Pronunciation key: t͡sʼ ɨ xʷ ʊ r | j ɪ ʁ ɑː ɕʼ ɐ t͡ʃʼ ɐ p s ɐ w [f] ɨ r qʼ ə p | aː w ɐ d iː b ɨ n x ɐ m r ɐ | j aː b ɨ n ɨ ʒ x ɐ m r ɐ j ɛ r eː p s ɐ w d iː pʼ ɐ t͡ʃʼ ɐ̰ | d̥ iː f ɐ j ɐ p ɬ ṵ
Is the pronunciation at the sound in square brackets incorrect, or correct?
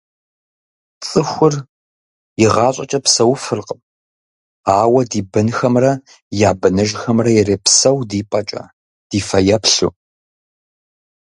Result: correct